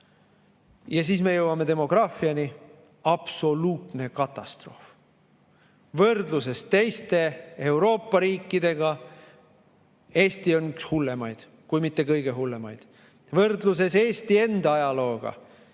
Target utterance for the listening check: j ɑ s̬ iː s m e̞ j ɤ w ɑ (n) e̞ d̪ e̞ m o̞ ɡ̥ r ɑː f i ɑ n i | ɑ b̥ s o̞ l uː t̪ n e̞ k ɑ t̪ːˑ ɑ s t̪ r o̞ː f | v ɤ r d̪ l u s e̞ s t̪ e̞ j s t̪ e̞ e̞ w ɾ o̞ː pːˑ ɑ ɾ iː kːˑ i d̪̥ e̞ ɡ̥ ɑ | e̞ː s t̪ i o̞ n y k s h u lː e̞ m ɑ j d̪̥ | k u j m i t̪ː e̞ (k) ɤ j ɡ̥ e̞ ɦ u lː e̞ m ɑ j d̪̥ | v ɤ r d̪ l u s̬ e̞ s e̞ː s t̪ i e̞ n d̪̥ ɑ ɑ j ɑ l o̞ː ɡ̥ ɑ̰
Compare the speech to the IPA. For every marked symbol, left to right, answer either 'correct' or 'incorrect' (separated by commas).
incorrect, correct